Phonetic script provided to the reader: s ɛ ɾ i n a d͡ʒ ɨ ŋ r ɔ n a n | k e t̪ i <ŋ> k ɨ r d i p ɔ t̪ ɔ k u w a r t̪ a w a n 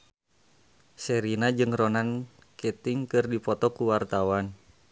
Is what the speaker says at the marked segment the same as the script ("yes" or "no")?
yes